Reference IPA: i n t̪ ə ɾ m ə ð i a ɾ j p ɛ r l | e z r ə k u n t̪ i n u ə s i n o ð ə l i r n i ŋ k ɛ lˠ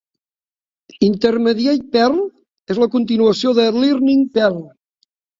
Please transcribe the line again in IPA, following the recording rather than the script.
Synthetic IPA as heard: i n t̪ ə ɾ m ə ð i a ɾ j p ɛ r l | e z l ə k u n t̪ i n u ə s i o ð ə l i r n i ŋ p ɛ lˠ